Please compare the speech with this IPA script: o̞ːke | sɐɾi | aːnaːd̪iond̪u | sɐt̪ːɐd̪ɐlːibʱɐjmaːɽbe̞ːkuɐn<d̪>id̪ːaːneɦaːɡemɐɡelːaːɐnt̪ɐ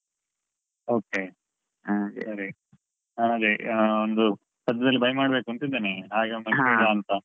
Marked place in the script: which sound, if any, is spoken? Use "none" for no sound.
t̪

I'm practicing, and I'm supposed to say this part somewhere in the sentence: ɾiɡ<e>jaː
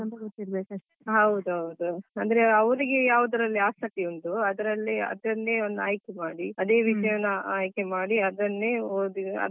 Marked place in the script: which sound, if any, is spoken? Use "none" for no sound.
e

